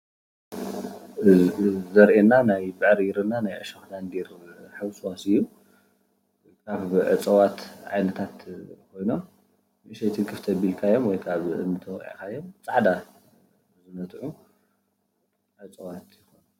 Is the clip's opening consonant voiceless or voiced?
voiced